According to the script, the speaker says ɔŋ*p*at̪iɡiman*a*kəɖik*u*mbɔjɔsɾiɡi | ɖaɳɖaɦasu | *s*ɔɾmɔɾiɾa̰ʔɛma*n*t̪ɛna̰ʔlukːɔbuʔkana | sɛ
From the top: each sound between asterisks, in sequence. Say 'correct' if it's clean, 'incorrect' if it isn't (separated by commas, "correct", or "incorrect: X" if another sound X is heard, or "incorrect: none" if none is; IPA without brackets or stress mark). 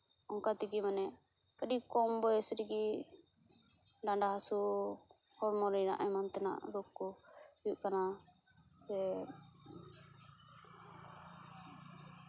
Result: incorrect: k, incorrect: ɛ, incorrect: ɔ, incorrect: h, correct